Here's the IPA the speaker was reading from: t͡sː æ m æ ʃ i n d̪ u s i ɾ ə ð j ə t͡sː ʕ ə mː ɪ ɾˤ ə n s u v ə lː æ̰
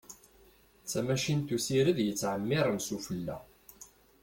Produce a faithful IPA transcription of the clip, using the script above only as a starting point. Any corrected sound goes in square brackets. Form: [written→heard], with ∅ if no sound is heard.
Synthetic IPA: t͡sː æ m æ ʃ i n [d̪→t̪] u s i ɾ ə ð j ə t͡sː ʕ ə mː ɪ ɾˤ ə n s u [v→f] ə lː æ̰